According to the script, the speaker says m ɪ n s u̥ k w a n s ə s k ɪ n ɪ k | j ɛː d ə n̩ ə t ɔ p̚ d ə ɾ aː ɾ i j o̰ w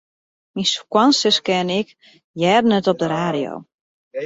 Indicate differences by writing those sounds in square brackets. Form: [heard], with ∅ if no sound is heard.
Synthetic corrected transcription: m [i] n s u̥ k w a n s ə s k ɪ n ɪ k | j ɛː d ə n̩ ə t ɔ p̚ d ə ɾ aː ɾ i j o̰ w

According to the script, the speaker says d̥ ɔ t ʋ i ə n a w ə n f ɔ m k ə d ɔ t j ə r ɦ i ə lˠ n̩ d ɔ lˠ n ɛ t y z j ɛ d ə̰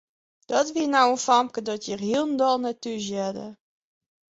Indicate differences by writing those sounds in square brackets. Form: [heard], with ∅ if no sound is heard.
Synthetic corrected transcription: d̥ ɔ t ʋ i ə n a w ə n f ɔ m k ə d ɔ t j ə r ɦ i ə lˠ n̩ d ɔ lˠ n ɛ t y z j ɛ d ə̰

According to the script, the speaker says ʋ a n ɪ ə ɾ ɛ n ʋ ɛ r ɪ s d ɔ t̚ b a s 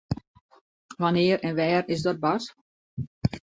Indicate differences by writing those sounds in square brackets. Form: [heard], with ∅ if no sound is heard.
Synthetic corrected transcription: ʋ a n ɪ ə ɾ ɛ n ʋ [ɛː] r ɪ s d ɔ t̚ b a s

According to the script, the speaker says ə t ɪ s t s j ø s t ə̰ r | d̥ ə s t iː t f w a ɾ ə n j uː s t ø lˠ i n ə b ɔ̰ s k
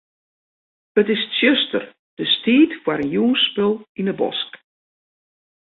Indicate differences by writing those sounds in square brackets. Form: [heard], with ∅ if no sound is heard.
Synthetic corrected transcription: ə t ɪ s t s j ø s t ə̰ r | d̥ ə s t iː t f w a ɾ ə n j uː s [p] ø lˠ i n ə b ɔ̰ s k

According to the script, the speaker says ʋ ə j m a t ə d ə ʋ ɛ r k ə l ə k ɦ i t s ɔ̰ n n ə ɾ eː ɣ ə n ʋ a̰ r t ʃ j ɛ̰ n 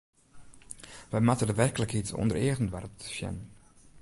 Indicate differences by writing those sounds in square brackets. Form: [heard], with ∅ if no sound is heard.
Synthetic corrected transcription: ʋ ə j m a t ə d ə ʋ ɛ r k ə l ə k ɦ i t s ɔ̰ n [d] ə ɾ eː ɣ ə n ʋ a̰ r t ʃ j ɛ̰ n

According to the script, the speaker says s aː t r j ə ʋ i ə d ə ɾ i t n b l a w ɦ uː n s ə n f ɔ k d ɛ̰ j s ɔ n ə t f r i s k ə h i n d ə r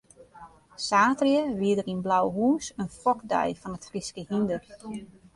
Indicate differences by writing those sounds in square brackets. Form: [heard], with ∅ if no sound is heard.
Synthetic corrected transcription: s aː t r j ə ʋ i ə d ə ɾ i [∅] n b l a w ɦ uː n s ə n f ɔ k d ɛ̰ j [f] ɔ n ə t f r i s k ə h i n d ə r

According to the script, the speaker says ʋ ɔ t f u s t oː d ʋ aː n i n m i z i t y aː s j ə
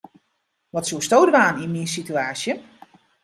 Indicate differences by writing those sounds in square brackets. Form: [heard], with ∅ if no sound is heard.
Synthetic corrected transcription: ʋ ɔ t [s] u s t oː d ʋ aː n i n m i [s] i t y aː s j ə

